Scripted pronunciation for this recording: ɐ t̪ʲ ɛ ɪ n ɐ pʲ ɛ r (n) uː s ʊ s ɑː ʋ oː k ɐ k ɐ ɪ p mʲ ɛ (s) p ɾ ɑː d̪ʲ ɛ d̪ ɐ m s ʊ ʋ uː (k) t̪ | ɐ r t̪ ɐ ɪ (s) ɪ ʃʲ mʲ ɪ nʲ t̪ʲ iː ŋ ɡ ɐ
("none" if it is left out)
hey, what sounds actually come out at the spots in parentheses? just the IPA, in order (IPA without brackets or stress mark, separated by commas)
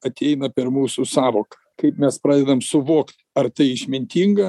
m, s, k, none